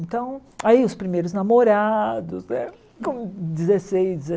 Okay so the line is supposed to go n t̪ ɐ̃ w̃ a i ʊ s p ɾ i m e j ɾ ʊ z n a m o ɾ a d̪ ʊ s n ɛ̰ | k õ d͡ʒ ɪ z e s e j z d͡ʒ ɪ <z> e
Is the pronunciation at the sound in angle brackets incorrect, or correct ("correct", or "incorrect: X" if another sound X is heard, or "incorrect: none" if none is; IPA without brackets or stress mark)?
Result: correct